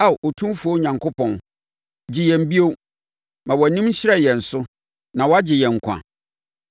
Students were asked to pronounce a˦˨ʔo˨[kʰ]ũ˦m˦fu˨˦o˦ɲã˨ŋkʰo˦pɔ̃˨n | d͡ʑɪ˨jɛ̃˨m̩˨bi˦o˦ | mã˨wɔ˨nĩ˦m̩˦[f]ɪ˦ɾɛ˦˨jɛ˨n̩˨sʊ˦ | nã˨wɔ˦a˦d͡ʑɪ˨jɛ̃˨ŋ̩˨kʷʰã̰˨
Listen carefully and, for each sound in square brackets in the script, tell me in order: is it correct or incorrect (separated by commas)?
incorrect, incorrect